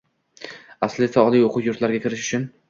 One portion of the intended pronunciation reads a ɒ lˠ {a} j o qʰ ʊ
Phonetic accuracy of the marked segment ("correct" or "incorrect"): incorrect